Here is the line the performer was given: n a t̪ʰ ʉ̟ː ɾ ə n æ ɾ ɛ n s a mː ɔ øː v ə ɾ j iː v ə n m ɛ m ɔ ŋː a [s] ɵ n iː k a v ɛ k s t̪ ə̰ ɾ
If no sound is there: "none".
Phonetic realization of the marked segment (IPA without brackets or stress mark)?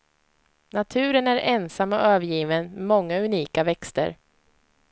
none